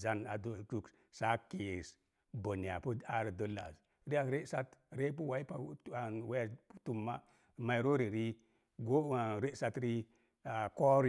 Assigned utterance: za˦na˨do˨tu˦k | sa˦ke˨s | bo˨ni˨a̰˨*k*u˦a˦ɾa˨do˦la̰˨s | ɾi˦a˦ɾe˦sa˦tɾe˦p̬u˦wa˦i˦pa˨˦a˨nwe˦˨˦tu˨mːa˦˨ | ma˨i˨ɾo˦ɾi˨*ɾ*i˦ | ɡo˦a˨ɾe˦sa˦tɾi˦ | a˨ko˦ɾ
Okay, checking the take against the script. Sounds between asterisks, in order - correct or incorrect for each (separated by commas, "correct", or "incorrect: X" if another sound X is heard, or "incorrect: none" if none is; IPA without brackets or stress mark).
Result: incorrect: p, correct